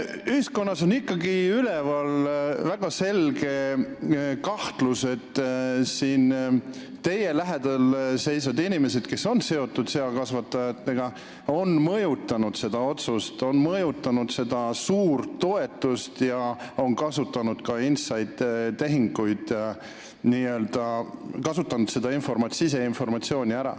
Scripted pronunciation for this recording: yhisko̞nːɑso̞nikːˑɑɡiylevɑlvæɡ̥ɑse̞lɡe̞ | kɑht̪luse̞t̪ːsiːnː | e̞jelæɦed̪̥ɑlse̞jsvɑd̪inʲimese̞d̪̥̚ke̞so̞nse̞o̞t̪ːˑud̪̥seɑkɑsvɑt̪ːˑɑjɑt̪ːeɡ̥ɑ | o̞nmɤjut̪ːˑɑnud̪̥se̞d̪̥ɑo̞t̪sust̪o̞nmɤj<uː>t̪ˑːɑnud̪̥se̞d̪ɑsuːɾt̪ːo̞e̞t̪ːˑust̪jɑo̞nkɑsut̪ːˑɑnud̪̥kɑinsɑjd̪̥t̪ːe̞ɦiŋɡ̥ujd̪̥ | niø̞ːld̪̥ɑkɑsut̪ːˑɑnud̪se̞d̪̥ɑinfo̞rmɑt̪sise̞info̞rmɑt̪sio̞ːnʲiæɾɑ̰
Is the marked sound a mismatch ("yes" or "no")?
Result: yes